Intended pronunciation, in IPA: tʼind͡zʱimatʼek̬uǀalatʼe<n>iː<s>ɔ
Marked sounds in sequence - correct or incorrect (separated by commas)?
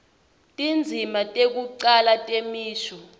incorrect, incorrect